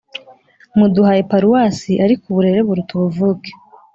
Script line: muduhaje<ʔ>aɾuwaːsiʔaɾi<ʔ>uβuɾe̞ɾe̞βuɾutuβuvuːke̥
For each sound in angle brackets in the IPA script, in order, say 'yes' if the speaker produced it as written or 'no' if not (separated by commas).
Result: no, no